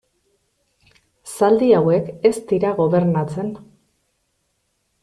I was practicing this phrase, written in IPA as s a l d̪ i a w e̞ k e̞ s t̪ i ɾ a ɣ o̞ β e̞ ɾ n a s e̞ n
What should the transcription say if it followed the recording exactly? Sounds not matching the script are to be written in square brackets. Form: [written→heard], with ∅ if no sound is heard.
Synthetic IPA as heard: s a l d̪ i a w e̞ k e̞ s t̪ i ɾ a ɣ o̞ β e̞ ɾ n a [s→t͡s] e̞ n